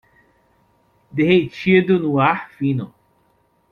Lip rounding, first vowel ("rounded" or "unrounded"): unrounded